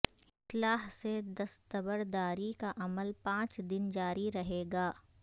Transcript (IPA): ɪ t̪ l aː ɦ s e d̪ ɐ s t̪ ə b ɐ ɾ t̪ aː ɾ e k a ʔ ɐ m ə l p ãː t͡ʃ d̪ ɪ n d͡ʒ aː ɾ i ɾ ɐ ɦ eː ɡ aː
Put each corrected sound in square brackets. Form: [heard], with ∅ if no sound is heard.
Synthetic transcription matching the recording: ɪ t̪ l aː ɦ s e d̪ ɐ s t̪ ə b [ə] ɾ [d̪] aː ɾ [i] k a ʔ ɐ m ə l p ãː t͡ʃ d̪ ɪ n d͡ʒ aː ɾ i ɾ ɐ ɦ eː ɡ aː